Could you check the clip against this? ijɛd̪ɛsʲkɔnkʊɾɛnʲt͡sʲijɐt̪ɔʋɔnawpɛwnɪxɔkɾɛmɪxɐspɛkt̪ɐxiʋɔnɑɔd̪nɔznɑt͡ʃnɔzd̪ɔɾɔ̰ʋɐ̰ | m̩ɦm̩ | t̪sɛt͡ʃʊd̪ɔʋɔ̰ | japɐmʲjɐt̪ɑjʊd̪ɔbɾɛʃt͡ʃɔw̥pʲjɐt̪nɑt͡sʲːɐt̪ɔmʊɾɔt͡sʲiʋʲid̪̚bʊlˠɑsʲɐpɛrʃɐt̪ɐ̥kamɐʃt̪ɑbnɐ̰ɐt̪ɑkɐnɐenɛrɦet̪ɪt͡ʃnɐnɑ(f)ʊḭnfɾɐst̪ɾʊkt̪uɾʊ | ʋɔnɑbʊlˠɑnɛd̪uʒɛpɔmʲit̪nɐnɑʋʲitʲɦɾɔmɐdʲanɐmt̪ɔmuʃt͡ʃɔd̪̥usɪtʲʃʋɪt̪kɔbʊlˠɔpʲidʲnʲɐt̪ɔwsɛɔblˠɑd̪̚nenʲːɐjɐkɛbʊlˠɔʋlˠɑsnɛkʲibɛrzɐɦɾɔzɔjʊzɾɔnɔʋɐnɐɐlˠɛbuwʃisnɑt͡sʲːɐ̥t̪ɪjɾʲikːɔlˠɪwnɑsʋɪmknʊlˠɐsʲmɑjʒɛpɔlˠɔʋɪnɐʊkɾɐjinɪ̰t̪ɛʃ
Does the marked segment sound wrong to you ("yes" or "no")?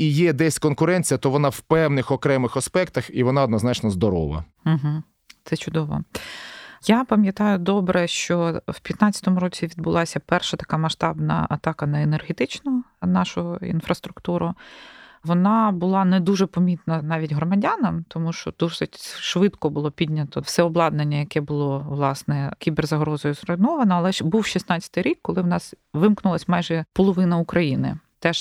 yes